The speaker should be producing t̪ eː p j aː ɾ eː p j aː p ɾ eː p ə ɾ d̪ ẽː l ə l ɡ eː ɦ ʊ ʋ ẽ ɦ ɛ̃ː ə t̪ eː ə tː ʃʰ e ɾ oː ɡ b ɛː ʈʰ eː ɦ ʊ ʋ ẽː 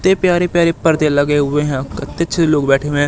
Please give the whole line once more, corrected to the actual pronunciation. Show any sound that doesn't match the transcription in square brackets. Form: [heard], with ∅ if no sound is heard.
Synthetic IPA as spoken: t̪ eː p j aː ɾ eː p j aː [∅] ɾ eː p ə ɾ d̪ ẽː l ə [∅] ɡ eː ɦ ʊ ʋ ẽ ɦ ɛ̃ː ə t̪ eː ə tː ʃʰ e [l] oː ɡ b ɛː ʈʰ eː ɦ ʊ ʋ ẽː

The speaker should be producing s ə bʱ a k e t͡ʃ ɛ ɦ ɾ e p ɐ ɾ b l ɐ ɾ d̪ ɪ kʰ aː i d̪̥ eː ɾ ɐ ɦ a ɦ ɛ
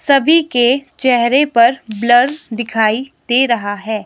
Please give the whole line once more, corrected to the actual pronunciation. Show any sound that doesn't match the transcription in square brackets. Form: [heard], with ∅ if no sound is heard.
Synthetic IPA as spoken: s [ɐ] bʱ [i] k e t͡ʃ ɛ ɦ ɾ e p ɐ ɾ b l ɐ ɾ d̪ ɪ kʰ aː i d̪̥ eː ɾ ɐ ɦ a ɦ [ɛː]

